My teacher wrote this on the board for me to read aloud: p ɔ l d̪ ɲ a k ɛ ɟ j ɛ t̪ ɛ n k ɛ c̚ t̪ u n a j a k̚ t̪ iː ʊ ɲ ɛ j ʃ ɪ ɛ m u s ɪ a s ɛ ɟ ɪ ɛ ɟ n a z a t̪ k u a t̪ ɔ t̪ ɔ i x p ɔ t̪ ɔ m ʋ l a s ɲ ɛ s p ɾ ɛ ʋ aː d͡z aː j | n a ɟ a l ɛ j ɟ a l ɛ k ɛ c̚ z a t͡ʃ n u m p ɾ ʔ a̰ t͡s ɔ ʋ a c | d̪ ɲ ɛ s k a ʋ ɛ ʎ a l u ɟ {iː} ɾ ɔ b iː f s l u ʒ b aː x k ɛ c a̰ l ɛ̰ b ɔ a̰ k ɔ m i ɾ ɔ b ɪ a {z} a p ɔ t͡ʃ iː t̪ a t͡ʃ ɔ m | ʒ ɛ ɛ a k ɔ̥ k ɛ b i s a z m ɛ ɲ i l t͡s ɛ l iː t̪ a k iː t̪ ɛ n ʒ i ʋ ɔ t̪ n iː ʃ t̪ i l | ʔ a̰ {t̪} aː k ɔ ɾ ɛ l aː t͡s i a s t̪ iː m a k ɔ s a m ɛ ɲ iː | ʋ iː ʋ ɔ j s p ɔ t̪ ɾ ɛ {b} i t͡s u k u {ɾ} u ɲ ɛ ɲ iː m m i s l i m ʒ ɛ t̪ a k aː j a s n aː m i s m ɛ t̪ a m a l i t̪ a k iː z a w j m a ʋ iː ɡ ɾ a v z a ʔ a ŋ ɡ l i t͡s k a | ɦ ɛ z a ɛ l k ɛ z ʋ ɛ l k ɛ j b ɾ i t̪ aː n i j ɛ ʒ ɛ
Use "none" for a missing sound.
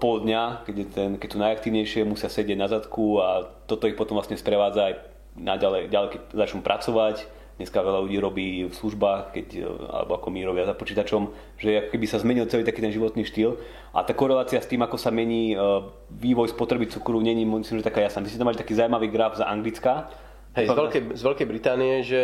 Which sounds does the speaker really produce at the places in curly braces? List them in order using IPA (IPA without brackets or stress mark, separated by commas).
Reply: iː, z, t̪, b, ɾ